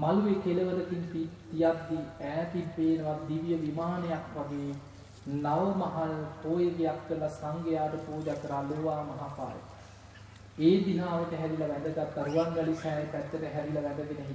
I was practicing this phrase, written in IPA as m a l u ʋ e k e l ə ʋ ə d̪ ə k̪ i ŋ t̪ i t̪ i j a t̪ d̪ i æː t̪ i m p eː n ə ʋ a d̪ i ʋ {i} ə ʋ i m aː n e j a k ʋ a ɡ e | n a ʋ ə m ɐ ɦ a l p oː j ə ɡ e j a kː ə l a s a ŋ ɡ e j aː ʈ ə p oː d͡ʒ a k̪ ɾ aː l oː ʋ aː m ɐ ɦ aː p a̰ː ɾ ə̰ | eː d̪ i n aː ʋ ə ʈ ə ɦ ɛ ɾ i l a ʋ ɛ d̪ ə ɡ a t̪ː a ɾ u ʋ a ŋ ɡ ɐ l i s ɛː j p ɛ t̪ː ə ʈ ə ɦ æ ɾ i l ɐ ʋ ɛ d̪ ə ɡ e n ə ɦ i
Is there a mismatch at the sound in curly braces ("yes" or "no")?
yes